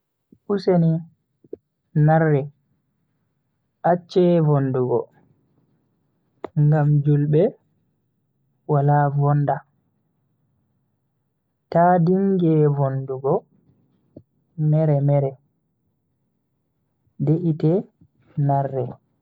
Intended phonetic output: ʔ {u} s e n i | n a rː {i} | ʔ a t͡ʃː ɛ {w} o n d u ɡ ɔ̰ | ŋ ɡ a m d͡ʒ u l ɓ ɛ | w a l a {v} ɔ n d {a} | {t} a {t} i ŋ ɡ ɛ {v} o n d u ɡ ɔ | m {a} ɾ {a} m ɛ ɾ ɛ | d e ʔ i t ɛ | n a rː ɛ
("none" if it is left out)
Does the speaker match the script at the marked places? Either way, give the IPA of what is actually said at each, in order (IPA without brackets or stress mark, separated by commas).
u, ɛ, v, v, a, t, d, v, ɛ, ɛ